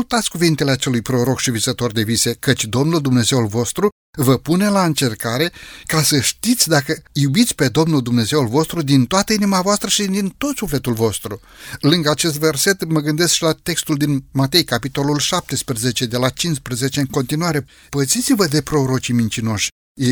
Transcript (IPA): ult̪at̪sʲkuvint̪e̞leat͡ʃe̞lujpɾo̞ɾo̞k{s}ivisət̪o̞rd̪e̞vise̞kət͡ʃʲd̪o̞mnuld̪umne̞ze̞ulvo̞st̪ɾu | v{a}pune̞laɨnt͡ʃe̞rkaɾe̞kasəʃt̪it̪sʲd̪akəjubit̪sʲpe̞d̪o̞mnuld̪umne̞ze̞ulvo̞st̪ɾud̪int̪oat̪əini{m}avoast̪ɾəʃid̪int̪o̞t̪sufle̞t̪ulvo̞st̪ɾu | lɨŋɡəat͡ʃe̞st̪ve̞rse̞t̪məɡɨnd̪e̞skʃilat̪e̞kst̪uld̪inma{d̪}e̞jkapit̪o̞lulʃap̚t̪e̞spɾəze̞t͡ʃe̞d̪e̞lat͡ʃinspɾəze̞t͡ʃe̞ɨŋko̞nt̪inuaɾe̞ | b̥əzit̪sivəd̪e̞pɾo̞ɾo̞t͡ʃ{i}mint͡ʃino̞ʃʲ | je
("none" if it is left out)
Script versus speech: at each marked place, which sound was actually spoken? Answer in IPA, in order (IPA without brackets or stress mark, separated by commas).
ʃ, ə, m, t̪, i